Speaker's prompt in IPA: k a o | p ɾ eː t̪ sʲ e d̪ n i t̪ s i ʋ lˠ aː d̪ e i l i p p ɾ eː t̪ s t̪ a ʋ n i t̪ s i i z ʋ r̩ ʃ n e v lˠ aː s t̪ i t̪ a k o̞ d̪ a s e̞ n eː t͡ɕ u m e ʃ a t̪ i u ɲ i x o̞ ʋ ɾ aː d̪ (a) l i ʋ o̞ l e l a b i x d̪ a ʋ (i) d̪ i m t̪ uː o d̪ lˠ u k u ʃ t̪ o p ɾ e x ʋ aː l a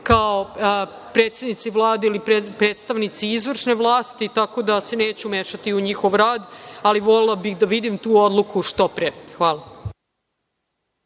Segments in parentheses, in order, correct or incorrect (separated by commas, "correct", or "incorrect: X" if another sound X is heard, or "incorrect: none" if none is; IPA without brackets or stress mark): correct, correct